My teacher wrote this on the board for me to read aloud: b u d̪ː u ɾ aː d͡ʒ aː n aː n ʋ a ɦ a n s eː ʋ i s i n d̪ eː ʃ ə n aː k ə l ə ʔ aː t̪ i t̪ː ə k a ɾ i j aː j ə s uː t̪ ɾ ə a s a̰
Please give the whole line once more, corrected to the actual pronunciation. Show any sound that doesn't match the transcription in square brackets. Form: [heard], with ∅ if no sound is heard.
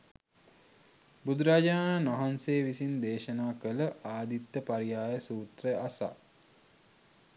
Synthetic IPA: b u [d̪] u ɾ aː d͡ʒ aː n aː n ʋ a ɦ a n s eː ʋ i s i n d̪ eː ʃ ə n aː k ə l ə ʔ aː [d̪] i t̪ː ə [p] a ɾ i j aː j ə s uː t̪ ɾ ə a s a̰